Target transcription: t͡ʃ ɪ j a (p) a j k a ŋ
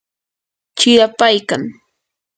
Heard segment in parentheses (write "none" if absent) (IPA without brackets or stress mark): p